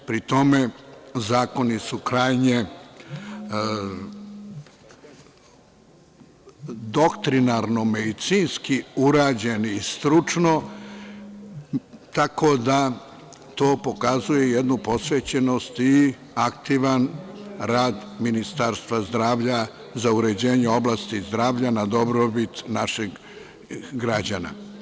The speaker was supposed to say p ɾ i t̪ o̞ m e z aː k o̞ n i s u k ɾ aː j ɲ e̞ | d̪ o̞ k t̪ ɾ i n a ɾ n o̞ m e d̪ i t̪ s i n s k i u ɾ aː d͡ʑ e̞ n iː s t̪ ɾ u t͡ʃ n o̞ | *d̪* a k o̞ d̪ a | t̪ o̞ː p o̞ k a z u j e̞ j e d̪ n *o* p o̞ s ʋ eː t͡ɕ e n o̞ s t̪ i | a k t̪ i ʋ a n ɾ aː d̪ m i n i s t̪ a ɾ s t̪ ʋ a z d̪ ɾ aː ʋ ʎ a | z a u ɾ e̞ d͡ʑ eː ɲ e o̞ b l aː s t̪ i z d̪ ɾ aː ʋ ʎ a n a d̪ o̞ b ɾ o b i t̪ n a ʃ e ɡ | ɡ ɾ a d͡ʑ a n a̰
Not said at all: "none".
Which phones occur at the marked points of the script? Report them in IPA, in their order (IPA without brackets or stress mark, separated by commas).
t̪, u